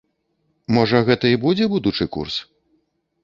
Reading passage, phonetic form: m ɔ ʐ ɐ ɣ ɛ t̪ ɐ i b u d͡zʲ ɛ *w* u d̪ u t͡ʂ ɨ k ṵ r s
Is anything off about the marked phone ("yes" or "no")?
yes